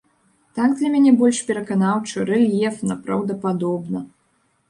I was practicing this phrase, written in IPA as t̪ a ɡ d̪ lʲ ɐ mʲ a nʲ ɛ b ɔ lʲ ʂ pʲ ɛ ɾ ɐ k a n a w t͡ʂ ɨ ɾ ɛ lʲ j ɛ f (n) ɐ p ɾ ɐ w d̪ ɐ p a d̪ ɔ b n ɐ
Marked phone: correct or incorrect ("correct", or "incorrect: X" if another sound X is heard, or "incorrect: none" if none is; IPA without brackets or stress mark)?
correct